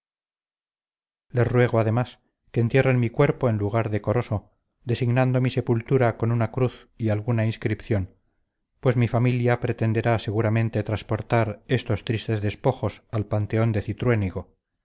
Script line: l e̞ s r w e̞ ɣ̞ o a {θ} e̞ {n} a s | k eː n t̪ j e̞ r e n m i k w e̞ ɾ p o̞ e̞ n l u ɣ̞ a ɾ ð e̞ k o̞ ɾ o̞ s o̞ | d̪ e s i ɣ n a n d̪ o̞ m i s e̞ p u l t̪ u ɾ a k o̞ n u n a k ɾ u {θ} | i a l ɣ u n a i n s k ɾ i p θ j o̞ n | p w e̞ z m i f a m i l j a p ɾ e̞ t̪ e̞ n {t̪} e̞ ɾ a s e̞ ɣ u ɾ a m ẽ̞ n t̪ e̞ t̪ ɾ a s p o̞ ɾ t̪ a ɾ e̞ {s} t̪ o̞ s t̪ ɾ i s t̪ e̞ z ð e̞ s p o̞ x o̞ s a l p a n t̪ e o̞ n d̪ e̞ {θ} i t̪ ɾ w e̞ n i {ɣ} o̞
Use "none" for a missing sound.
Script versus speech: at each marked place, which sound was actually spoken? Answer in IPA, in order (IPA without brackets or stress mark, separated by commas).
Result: ð, m, θ, d̪, s, θ, ɣ